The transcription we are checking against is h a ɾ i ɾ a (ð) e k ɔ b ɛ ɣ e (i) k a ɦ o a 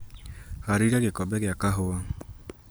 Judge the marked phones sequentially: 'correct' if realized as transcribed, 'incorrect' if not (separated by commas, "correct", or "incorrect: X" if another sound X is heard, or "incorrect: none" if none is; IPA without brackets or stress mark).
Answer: incorrect: ɣ, incorrect: a